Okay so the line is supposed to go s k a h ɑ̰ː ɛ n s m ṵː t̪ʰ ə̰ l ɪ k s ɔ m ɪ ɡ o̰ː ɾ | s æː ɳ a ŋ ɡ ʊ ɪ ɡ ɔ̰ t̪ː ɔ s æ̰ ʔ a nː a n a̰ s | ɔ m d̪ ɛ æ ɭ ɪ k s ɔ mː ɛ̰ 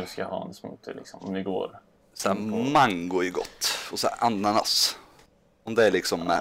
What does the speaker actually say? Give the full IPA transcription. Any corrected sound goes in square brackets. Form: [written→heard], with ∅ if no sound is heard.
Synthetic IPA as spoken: s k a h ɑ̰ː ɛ n s m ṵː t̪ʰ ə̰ l ɪ k s ɔ m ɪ ɡ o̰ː ɾ | s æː [ɳ→m] a ŋ ɡ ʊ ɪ ɡ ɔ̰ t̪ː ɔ s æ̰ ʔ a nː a n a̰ s | ɔ m d̪ ɛ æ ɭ ɪ k s ɔ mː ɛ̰